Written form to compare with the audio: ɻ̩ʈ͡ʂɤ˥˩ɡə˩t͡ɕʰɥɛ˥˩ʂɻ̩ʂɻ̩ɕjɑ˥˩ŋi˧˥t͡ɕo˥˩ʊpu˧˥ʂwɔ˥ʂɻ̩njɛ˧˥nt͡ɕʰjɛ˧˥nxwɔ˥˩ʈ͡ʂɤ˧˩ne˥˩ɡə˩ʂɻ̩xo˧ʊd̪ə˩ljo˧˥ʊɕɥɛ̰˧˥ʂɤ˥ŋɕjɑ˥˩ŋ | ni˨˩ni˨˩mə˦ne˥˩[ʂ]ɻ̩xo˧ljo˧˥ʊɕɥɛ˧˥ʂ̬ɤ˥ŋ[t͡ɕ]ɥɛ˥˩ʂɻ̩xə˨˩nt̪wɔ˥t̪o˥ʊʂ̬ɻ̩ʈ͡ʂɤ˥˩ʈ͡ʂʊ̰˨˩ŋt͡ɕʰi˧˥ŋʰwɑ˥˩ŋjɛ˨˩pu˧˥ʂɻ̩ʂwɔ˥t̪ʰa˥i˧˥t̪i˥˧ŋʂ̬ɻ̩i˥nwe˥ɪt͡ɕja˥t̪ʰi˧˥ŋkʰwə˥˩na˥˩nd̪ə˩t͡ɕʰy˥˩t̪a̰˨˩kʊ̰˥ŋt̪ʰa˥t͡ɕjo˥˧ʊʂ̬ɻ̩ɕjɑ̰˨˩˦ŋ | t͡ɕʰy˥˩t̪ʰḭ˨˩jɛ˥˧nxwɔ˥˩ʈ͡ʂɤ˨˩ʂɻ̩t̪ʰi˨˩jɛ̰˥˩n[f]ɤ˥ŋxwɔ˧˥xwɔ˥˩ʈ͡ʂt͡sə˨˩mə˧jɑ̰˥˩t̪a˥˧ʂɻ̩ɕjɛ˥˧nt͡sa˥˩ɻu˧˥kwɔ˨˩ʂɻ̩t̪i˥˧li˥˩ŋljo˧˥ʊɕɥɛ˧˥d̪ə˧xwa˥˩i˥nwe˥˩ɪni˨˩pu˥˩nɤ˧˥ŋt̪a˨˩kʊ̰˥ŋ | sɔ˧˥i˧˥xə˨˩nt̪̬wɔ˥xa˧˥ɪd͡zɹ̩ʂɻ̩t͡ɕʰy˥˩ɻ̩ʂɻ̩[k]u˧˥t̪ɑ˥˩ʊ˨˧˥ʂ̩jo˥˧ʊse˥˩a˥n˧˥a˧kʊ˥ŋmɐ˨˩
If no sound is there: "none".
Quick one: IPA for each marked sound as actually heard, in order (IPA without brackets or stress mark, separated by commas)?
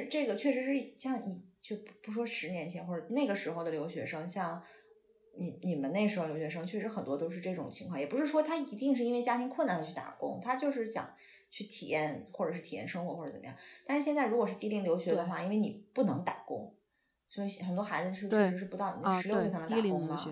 ʂ, t͡ɕʰ, ʂ, p